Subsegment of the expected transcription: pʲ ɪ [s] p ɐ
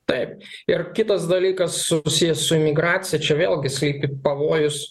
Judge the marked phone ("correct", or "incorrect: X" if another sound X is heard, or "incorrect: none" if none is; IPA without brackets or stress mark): incorrect: none